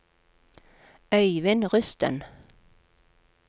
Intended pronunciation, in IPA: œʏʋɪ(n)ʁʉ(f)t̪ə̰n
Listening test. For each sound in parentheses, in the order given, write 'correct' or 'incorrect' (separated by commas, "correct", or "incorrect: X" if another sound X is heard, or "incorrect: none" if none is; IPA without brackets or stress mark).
correct, incorrect: s